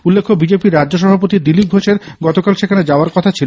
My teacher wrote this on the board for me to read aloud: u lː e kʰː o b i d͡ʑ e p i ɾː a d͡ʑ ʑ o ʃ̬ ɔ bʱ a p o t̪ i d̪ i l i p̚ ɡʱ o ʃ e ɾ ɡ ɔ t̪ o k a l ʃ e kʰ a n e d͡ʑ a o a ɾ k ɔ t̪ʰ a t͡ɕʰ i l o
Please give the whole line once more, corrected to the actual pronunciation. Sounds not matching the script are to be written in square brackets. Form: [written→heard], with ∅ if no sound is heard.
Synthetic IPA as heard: u lː e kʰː o b i d͡ʑ e p i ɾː a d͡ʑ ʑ o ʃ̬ ɔ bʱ a p o t̪ i d̪ i l i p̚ ɡʱ o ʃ e ɾ ɡ ɔ t̪ o k a l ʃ e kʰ a n e d͡ʑ a o a ɾ k ɔ t̪ʰ a t͡ɕʰ i l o